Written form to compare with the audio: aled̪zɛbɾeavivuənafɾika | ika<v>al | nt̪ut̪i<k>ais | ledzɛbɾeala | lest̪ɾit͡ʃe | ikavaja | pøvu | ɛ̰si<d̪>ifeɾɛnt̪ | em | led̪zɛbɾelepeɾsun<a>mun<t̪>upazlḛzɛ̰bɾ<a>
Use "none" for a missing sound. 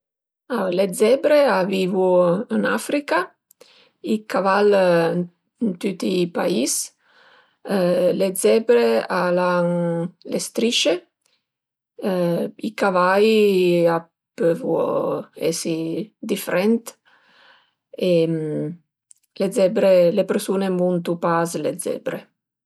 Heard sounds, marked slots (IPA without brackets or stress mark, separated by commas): v, p, d̪, e, t̪, e